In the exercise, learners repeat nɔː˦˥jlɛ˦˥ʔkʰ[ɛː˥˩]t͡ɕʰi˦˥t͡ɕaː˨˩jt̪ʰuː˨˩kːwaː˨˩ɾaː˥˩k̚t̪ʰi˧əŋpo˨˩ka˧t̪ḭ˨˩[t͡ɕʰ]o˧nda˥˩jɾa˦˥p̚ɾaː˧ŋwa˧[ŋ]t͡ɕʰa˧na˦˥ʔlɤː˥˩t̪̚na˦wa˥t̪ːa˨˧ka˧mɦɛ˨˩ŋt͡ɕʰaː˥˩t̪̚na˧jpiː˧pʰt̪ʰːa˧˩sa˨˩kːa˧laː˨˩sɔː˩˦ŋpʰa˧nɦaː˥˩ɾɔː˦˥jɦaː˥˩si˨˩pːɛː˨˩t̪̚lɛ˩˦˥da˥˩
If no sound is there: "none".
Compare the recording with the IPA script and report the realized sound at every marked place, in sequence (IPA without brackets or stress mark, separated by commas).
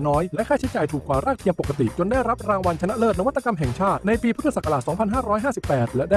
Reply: aː˥˩, t͡ɕ, n